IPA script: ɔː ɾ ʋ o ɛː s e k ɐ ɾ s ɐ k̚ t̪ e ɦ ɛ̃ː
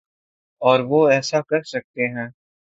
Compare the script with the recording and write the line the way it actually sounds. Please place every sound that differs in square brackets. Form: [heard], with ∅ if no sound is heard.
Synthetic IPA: ɔː ɾ ʋ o ɛː s [a] k ɐ ɾ s ɐ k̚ t̪ e ɦ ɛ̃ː